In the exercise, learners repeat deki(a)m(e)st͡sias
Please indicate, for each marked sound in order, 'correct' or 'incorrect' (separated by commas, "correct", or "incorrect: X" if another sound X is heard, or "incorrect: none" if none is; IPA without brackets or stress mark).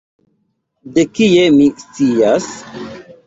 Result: incorrect: e, incorrect: i